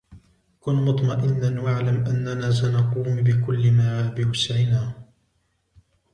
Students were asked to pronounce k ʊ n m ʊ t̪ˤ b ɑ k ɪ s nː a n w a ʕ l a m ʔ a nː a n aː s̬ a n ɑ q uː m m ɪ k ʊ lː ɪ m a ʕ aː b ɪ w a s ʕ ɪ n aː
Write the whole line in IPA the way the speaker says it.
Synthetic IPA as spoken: k ʊ n m ʊ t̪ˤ m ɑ ʔ ɪ nː a n w a ʕ l a m ʔ a nː a n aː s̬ a n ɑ q uː m b ɪ k ʊ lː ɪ m a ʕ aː b ɪ w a s ʕ ɪ n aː